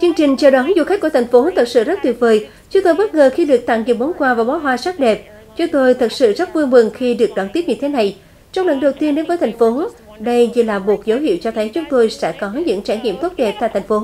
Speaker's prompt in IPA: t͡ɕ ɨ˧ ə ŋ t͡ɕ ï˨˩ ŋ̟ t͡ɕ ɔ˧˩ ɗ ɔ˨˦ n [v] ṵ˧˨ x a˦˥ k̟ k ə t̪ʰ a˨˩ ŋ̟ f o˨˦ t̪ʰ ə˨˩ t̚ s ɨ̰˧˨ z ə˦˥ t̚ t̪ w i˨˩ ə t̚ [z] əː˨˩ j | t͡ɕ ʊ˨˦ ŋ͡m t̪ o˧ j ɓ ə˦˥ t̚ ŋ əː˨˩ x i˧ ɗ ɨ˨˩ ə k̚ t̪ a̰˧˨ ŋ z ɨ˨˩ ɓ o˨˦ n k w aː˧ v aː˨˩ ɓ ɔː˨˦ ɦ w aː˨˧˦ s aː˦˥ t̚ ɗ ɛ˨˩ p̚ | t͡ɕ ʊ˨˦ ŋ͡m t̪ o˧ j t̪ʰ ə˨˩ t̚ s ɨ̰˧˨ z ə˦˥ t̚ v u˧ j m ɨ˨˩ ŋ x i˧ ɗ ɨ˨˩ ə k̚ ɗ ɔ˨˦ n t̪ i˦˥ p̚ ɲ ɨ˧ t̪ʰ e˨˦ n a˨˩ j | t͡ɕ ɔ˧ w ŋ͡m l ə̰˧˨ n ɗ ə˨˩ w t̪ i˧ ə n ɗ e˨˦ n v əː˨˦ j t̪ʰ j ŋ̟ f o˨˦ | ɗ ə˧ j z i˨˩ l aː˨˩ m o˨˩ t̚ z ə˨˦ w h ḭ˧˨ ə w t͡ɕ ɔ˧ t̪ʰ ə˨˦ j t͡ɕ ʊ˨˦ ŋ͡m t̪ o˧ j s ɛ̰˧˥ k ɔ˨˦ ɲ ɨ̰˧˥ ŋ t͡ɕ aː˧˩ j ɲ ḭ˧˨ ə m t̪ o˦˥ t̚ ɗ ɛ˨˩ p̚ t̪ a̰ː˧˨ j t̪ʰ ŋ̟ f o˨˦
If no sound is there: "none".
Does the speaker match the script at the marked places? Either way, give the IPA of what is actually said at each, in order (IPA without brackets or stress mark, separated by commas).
z, v